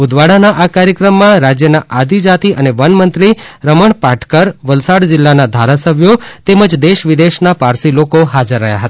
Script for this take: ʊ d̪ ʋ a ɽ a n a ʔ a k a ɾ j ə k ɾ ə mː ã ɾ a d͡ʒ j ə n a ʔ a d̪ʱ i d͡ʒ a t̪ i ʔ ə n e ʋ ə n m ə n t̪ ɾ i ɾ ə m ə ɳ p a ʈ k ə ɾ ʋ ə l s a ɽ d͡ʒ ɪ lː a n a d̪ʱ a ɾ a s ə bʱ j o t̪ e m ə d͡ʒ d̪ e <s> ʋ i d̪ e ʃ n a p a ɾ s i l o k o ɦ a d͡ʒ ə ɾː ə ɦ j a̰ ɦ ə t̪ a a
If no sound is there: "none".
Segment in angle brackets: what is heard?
ʃ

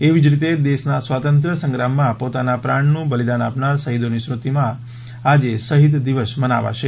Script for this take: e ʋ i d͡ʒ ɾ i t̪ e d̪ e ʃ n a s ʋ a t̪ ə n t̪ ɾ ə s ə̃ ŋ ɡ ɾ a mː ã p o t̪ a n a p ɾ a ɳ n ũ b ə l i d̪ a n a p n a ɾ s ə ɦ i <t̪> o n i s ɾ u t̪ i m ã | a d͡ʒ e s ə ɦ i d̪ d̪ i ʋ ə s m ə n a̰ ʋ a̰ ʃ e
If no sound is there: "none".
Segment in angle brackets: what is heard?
d̪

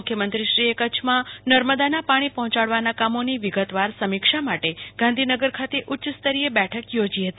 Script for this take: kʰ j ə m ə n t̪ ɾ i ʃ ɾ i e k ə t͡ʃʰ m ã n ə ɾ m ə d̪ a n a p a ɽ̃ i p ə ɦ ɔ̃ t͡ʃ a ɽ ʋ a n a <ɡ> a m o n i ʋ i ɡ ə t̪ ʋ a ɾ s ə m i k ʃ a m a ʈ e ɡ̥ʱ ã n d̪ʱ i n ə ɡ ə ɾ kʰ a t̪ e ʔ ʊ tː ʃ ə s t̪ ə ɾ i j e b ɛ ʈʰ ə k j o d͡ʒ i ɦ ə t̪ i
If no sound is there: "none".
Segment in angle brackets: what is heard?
k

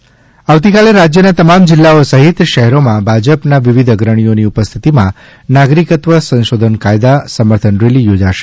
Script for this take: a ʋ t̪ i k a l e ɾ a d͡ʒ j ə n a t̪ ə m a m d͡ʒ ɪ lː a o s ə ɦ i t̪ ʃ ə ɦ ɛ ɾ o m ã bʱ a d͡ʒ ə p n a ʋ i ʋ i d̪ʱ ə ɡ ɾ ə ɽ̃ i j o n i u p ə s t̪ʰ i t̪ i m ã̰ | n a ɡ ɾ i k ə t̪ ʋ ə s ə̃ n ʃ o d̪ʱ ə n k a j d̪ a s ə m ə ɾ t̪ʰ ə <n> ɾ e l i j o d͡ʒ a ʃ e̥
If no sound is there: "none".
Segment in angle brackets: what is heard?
n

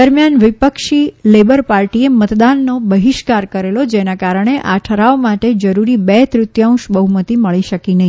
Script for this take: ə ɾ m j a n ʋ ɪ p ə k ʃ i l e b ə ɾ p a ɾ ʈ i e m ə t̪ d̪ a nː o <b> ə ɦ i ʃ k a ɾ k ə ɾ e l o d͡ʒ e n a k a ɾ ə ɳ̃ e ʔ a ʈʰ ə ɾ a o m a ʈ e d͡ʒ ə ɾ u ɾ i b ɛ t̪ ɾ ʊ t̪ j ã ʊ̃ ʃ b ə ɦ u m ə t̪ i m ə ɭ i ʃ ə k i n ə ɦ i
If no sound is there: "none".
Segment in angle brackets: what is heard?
b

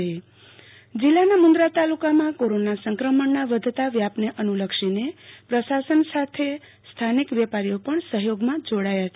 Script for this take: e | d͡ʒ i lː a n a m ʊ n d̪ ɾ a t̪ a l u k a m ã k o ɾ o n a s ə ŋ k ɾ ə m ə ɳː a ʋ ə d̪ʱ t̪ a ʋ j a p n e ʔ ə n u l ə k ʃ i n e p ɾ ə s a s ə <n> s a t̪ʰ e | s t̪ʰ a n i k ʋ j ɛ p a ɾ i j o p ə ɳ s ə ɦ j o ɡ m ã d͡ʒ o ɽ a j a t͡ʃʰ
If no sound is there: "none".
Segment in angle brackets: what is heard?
n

